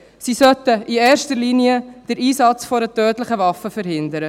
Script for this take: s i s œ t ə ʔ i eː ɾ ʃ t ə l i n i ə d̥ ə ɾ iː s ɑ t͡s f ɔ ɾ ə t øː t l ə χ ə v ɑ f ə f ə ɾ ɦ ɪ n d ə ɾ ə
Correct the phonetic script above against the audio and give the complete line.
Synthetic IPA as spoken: s i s œ t ə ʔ i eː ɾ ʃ t ə l i n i ə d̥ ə ɾ iː s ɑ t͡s f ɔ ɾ ə t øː t l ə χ ə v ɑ f ə f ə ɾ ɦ ɪ n d ə ɾ ə